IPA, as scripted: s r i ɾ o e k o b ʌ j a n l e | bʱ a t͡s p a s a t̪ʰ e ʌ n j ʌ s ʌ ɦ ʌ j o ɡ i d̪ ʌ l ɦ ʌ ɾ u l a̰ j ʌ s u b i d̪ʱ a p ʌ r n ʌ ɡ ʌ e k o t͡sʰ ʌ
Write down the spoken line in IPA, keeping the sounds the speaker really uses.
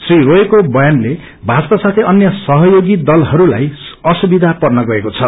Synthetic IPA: s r i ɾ o e k o b ʌ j a n l e | bʱ a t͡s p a s a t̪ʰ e ʌ n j ʌ s ʌ ɦ ʌ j o ɡ i d̪ ʌ l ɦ ʌ ɾ u l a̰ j ʌ s u b i d̪ʱ a p ʌ r n ʌ ɡ ʌ e k o t͡sʰ ʌ